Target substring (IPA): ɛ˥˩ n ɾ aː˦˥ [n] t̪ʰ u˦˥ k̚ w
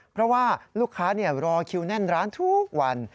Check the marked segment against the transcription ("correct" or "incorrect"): correct